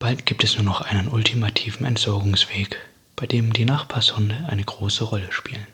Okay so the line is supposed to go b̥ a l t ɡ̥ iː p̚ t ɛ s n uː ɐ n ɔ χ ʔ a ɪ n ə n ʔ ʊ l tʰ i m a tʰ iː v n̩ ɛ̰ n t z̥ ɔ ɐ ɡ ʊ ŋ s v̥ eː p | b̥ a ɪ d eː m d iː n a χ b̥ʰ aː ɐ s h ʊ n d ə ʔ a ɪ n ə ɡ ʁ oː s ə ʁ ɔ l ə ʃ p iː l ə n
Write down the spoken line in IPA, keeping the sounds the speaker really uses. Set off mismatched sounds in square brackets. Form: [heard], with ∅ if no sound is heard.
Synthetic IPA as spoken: b̥ a l t ɡ̥ iː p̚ t ɛ s n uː ɐ n ɔ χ ʔ a ɪ n ə n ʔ ʊ l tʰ i m a tʰ iː v n̩ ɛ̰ n t z̥ ɔ ɐ ɡ ʊ ŋ s v̥ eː [k] | b̥ a ɪ d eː m d iː n a χ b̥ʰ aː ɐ s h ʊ n d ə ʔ a ɪ n ə ɡ ʁ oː s ə ʁ ɔ l ə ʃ p iː l ə n